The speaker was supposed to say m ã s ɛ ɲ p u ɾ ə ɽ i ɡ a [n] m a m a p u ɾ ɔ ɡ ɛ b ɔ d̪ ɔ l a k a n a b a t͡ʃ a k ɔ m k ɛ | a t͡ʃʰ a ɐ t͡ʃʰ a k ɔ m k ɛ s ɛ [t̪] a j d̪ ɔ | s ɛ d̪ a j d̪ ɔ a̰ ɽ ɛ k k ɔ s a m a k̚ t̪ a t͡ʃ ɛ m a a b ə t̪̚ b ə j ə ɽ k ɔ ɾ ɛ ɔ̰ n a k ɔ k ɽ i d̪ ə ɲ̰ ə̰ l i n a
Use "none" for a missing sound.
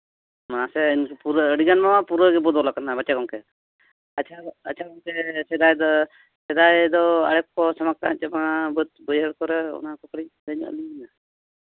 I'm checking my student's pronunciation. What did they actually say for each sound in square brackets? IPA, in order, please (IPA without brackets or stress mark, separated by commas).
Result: n, d̪